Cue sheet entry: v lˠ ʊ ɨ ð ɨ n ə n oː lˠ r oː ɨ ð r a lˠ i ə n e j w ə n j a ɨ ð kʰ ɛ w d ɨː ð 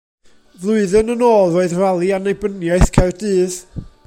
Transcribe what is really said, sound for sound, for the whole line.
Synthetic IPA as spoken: v lˠ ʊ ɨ ð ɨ n ə n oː lˠ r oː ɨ ð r a lˠ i a n e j b ə n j a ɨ θ kʰ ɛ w d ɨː ð